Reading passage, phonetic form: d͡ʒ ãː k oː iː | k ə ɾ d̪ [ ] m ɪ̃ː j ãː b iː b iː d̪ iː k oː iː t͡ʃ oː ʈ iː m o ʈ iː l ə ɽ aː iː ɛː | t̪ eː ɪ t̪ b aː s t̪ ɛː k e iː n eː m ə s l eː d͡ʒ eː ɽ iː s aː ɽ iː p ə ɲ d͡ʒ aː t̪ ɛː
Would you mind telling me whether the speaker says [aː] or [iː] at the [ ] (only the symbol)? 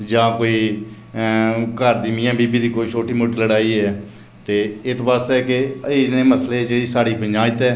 iː